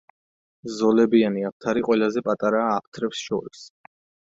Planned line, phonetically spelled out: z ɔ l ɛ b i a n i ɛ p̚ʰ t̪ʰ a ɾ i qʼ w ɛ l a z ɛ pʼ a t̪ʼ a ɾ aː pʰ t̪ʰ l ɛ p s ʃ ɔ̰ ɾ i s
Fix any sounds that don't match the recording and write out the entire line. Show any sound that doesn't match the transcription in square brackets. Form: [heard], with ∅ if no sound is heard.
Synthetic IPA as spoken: z ɔ l ɛ b i a n i [a] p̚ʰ t̪ʰ a ɾ i qʼ w ɛ l a z ɛ pʼ a t̪ʼ a ɾ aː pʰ t̪ʰ [ɾ] ɛ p s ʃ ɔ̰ ɾ i s